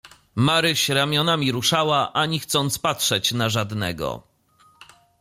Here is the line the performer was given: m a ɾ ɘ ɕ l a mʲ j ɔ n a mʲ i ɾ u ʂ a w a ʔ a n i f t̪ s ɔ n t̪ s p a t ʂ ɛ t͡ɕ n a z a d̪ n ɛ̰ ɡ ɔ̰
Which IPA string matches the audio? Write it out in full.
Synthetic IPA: m a ɾ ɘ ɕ ɾ a mʲ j ɔ n a mʲ i ɾ u ʂ a w a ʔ a ɲ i x t̪ s ɔ n t̪ s p a t ʂ ɛ t͡ɕ n a ʐ a d̪ n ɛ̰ ɡ ɔ̰